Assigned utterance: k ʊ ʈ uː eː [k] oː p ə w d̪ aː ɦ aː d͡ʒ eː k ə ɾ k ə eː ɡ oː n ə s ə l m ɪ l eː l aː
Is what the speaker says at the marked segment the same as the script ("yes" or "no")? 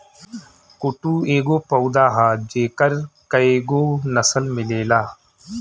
no